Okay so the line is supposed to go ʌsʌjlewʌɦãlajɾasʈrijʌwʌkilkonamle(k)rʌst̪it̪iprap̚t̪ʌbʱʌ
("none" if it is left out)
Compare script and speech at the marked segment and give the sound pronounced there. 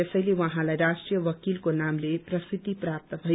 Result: p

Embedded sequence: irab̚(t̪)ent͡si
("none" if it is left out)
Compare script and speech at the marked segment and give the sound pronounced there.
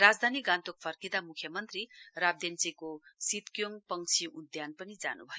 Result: d̪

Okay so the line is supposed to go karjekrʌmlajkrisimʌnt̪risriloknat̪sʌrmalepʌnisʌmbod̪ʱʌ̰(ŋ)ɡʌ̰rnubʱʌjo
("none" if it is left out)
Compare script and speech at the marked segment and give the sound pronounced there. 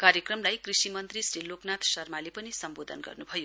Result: n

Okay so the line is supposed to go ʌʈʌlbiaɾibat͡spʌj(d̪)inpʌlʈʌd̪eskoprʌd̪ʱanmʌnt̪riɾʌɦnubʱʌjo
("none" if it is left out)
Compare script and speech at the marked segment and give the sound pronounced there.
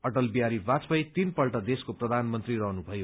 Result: t̪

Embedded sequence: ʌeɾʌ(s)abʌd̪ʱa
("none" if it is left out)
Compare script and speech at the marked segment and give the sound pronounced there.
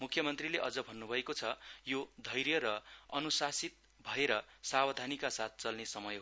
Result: s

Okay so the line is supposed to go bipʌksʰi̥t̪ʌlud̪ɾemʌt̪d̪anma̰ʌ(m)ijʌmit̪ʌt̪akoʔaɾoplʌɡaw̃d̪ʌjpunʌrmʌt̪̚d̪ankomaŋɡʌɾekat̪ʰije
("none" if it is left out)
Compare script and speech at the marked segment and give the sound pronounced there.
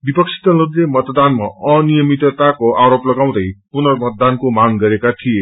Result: n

